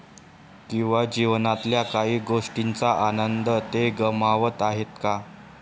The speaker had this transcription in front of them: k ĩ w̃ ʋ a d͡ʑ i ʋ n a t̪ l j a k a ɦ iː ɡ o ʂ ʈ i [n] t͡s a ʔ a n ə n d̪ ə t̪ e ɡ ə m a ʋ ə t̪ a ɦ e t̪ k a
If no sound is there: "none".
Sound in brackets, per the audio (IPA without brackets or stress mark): n